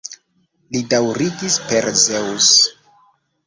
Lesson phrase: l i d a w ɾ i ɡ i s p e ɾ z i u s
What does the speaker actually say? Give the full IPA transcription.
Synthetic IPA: l i d a w ɾ i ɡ i s p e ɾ z e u s